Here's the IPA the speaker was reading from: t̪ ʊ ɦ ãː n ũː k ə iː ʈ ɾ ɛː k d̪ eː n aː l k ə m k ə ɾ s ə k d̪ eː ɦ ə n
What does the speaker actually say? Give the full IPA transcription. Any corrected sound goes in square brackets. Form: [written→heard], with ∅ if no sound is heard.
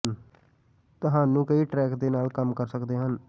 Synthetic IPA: t̪ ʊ ɦ [ãː→aː] n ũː k ə iː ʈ ɾ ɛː k d̪ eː n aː l k ə m k ə ɾ s ə k d̪ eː ɦ ə n